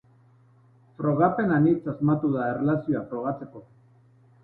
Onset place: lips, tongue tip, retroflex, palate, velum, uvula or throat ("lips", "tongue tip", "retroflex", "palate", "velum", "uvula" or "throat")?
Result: lips